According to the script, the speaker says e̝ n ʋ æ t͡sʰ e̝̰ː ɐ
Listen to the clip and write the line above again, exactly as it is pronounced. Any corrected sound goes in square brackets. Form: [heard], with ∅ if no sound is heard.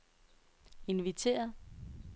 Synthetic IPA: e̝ n ʋ [i] t͡sʰ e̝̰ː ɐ